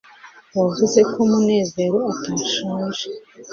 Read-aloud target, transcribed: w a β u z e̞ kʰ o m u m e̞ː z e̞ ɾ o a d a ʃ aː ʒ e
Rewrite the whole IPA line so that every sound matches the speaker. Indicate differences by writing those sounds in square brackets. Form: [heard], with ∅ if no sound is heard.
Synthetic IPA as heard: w a [v] u z e̞ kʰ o m u [n] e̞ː z e̞ ɾ o a [t] a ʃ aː ʒ e